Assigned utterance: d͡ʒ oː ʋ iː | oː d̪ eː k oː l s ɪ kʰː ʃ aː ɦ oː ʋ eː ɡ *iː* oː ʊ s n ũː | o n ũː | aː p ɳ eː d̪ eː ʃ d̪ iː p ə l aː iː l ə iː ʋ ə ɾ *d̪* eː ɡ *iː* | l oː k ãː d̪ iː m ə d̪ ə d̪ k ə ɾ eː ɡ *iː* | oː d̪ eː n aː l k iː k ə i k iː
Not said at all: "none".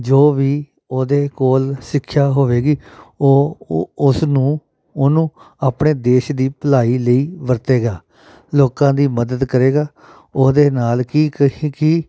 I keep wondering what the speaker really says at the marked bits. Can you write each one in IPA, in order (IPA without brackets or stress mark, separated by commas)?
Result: iː, t̪, aː, aː